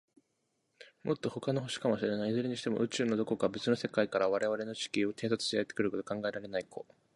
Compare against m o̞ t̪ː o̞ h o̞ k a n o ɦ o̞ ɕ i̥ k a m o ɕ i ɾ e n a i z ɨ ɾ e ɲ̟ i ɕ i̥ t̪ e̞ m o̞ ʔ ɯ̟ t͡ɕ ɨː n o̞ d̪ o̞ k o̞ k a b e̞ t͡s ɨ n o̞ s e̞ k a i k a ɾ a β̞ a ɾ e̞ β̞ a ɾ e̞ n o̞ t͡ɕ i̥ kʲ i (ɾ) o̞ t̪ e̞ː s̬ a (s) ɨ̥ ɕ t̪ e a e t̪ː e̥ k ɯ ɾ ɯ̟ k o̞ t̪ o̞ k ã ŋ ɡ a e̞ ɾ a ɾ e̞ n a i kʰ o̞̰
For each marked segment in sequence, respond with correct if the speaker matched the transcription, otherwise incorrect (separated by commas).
incorrect, incorrect